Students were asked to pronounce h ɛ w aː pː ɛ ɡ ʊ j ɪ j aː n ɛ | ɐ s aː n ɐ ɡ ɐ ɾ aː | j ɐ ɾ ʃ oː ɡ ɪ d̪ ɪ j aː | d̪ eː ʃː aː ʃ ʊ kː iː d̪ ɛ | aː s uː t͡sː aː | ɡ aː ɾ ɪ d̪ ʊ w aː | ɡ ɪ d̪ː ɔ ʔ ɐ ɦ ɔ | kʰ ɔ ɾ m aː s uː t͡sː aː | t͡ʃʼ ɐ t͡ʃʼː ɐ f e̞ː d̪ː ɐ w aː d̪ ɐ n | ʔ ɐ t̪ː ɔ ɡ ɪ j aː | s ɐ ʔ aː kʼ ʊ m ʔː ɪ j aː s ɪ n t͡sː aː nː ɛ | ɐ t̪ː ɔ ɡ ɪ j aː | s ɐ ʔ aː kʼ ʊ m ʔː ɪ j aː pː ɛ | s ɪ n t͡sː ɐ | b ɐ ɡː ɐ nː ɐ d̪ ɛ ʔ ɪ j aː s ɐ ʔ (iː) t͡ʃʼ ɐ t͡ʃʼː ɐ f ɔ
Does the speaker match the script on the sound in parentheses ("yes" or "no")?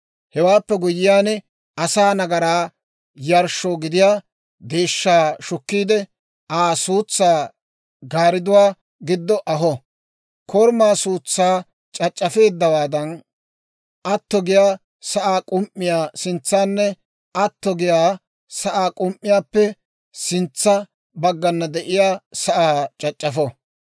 no